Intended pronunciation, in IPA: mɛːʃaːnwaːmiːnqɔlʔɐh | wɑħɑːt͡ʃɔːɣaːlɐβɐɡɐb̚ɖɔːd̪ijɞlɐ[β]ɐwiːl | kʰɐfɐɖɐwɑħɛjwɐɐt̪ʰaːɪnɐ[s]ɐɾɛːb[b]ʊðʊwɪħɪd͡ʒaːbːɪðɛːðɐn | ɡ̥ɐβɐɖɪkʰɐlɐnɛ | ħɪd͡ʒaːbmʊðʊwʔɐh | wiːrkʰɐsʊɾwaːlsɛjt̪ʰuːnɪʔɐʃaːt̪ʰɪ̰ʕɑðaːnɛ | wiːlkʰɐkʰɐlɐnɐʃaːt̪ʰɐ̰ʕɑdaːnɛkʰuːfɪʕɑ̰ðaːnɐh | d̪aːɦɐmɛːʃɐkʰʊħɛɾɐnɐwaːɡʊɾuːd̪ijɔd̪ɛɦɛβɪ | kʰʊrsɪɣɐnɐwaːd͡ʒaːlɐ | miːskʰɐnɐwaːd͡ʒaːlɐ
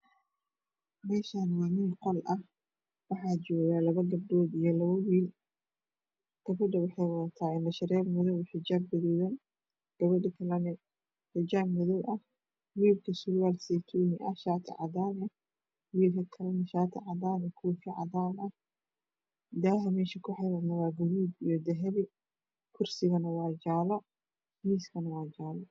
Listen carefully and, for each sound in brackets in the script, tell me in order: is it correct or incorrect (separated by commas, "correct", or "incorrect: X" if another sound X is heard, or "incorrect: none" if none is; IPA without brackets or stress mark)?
correct, incorrect: ʃ, incorrect: m